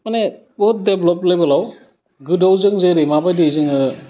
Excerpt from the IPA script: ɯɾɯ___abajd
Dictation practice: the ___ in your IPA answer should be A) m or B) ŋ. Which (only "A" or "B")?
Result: A